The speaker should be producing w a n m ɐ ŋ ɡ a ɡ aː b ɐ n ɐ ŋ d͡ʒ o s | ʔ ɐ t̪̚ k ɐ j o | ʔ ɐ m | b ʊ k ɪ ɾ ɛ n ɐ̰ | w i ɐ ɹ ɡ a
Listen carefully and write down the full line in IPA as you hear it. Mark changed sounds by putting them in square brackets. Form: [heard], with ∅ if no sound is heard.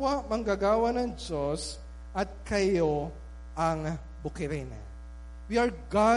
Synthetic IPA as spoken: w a [∅] m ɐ ŋ ɡ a ɡ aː [w] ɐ n ɐ ŋ d͡ʒ o s | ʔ ɐ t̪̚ k ɐ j o | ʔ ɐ [ŋ] | b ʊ k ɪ ɾ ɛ n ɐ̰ | w i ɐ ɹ ɡ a